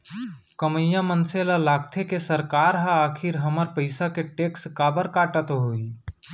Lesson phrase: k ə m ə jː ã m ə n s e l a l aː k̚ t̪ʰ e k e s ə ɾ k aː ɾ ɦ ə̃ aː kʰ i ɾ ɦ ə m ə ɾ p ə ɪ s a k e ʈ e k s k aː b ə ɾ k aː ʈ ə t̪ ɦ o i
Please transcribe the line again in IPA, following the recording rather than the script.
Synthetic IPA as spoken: k ə m ə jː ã m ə n s e l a l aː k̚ t̪ʰ e k e s ə ɾ k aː ɾ ɦ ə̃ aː kʰ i ɾ ɦ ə m ə ɾ p ə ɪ s a k e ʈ e k s k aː b ə ɾ k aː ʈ ə t̪ ɦ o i